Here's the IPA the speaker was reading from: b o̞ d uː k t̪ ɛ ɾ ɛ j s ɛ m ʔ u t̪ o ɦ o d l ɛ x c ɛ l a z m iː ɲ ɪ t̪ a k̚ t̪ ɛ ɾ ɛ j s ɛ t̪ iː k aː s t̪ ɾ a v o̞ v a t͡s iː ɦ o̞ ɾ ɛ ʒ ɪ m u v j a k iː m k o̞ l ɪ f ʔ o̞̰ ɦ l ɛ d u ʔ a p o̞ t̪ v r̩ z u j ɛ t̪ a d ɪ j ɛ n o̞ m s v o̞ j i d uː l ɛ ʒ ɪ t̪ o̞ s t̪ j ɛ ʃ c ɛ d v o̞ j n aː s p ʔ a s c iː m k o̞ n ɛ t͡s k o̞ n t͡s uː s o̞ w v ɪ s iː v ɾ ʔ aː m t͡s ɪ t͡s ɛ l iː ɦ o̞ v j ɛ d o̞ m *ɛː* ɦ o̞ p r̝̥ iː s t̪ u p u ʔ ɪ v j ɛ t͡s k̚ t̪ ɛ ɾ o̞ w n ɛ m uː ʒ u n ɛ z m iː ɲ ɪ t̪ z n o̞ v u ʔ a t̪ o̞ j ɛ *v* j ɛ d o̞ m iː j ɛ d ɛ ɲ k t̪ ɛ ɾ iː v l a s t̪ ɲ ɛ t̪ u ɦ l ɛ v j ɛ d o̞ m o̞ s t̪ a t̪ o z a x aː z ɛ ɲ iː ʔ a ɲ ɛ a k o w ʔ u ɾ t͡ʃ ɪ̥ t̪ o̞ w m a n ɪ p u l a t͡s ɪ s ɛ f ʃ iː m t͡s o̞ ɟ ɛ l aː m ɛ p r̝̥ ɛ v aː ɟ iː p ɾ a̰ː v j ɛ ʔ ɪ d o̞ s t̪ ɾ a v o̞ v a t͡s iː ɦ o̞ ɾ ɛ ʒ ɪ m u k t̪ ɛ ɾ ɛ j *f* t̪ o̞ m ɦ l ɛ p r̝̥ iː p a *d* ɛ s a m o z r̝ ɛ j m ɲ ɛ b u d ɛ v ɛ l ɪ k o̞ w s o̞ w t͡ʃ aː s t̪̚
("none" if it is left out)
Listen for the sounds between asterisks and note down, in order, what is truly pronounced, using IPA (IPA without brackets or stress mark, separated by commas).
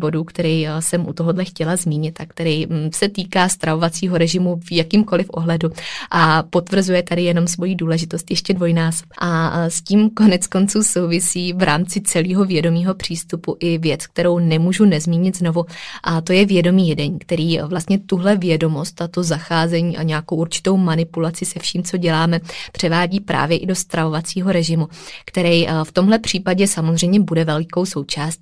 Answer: iː, v, f, ɟ